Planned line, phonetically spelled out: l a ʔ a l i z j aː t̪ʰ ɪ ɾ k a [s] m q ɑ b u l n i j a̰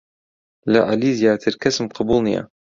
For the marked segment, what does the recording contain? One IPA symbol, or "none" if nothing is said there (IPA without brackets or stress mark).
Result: s